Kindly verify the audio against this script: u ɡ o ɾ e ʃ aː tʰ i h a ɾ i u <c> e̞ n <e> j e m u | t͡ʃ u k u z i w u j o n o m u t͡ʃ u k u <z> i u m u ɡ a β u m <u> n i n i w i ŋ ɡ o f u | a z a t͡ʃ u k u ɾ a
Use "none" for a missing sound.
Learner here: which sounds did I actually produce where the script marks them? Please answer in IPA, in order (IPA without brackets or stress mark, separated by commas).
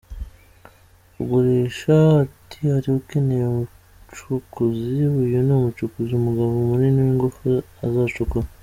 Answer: k, e, z, u